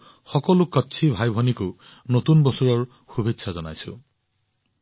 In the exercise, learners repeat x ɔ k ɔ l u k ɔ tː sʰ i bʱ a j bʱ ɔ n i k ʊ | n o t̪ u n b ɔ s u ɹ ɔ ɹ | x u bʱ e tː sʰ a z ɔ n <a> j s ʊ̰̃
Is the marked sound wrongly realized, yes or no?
no